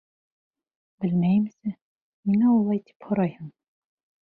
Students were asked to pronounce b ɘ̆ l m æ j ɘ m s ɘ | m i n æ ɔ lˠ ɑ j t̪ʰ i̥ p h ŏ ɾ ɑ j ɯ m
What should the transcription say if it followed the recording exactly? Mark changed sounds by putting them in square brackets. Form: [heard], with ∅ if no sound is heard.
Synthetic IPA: b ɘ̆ l m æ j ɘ m s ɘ | m i n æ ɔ lˠ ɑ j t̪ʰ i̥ p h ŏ ɾ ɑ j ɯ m